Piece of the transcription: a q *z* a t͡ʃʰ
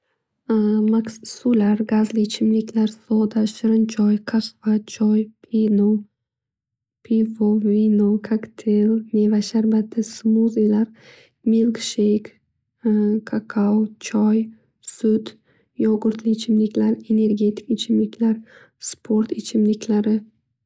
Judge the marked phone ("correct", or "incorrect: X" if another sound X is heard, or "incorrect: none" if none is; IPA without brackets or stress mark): incorrect: v